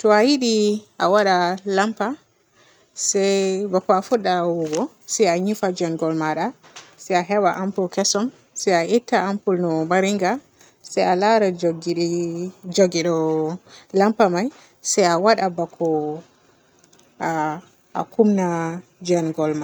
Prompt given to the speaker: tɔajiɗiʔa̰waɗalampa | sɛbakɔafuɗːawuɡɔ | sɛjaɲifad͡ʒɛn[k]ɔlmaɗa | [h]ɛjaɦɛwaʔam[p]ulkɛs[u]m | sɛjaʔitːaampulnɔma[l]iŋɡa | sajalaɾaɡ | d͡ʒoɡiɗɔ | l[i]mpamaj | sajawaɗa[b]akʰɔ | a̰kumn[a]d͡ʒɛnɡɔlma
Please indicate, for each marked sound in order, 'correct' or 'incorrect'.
incorrect, incorrect, correct, incorrect, incorrect, incorrect, correct, correct

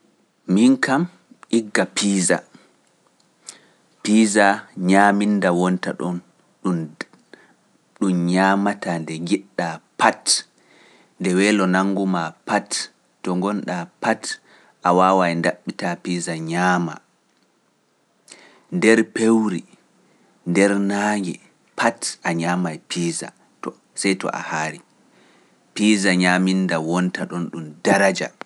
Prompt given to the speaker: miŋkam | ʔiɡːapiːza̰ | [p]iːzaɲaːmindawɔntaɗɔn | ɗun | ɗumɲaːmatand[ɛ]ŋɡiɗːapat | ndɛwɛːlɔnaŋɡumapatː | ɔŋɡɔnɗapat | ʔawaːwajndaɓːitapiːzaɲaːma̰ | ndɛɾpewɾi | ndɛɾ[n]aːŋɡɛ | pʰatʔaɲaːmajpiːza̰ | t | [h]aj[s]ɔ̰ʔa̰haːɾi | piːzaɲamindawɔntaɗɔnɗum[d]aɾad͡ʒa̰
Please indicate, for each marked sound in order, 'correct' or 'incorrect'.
correct, correct, correct, incorrect, incorrect, correct

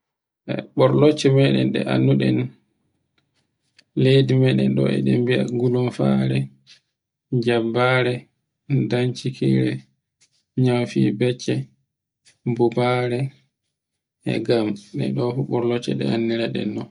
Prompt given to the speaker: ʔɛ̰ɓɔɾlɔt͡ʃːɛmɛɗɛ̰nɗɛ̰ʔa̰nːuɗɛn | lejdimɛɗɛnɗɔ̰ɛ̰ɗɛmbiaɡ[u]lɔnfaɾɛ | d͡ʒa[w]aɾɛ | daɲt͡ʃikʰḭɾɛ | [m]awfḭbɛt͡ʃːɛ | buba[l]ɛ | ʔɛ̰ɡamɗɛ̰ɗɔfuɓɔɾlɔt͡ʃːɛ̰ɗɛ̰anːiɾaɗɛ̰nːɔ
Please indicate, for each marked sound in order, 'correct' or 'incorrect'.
correct, incorrect, incorrect, incorrect

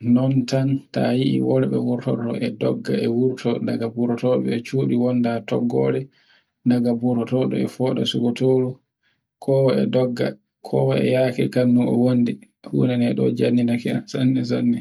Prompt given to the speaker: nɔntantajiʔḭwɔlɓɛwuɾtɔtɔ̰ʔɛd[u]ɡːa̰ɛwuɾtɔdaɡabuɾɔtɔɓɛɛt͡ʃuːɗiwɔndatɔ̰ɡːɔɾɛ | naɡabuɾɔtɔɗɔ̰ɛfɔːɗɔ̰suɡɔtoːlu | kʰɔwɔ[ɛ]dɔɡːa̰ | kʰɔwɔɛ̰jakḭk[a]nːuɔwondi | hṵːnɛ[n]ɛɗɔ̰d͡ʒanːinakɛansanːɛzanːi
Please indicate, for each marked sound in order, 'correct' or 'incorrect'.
incorrect, correct, correct, correct

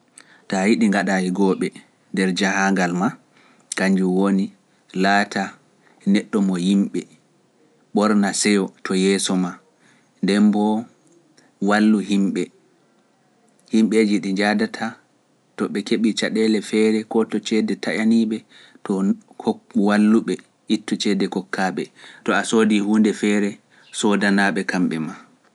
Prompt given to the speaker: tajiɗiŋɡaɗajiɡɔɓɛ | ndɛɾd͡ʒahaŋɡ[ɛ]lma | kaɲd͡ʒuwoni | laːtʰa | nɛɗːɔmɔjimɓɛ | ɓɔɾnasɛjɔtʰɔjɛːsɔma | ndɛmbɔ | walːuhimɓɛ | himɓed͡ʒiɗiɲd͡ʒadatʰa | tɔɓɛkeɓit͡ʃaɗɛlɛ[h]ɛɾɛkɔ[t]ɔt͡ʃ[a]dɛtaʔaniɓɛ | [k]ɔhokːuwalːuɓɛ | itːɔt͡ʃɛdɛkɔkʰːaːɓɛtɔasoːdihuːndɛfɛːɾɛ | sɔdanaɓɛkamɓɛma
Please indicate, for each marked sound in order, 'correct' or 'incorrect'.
incorrect, incorrect, correct, incorrect, incorrect

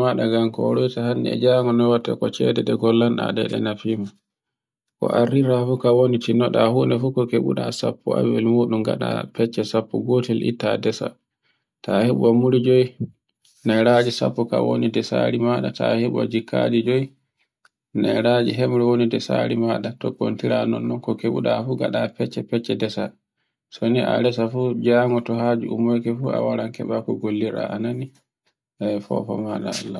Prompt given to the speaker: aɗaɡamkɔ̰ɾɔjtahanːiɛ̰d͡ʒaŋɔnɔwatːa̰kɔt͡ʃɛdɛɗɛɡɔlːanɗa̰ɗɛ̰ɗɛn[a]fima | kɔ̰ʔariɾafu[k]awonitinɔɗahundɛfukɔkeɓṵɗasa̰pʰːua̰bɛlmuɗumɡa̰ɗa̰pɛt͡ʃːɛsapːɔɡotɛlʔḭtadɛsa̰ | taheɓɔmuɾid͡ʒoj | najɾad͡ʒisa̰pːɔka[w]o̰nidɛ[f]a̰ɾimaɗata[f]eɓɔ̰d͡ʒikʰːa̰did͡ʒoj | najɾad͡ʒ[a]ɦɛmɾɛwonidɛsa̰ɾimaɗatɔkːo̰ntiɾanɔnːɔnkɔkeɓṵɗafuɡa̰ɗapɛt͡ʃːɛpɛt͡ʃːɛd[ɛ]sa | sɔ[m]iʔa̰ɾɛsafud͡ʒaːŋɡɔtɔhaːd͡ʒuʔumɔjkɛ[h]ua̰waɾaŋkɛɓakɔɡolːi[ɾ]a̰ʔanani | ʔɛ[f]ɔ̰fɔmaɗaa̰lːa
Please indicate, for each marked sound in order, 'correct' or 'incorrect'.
correct, correct, correct, incorrect, incorrect, incorrect, correct, incorrect, incorrect, correct, correct

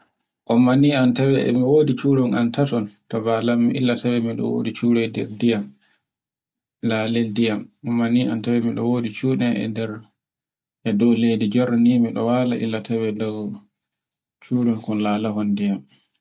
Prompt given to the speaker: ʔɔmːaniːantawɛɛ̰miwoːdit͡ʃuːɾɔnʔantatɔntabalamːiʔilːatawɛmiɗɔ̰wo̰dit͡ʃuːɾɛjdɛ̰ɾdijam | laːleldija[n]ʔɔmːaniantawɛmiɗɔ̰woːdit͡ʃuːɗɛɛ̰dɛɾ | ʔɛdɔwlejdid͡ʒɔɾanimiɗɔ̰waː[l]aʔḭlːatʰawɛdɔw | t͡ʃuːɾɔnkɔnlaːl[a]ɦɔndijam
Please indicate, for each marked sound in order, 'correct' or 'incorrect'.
incorrect, correct, correct

